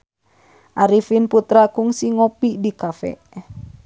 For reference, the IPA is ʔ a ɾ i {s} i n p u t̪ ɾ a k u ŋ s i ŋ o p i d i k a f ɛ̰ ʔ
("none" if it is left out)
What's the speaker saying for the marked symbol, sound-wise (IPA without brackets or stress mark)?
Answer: f